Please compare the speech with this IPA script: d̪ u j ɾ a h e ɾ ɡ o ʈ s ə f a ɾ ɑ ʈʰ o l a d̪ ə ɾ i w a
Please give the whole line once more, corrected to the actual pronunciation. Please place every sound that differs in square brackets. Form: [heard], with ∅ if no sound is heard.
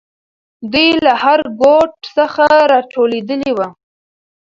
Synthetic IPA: d̪ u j [l] a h [a] ɾ ɡ o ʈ s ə [x] a ɾ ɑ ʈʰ o l [e] d̪ ə [l] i w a